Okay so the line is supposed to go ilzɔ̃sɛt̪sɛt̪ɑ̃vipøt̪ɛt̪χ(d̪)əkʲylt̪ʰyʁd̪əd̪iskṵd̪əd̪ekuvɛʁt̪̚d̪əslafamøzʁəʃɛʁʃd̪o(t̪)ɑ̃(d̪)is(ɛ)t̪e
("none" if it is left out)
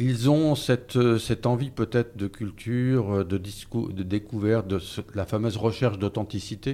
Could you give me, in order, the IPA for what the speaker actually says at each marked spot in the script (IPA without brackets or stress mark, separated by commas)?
d̪, t̪, t̪, i